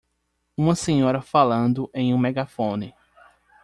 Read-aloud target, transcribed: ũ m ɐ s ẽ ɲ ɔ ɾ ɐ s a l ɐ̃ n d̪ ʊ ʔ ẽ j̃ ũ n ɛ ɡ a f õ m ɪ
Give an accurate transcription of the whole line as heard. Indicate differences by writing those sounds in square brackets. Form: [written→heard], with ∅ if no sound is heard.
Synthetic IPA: ũ m ɐ s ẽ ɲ ɔ ɾ ɐ [s→f] a l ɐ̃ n d̪ ʊ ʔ ẽ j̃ ũ [n→m] ɛ ɡ a f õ [m→n] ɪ